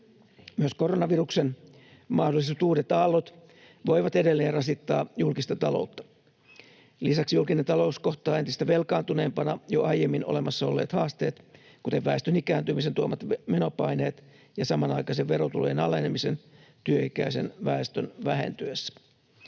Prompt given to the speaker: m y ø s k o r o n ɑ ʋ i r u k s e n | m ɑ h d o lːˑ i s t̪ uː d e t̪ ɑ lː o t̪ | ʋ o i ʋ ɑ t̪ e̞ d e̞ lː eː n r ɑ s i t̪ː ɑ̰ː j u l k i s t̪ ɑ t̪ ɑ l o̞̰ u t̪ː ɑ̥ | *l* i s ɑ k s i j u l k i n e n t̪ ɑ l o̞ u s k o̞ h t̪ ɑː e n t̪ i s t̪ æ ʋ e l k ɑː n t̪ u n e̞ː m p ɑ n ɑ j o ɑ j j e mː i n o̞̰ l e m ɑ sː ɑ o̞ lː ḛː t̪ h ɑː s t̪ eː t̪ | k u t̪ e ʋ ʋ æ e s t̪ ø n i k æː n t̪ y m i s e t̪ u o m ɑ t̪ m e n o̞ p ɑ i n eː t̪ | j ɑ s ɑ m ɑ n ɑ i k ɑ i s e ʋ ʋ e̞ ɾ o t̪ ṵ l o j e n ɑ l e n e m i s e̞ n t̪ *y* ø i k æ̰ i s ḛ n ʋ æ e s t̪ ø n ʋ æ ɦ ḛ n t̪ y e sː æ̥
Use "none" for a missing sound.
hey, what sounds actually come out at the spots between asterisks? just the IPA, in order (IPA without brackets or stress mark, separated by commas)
l, y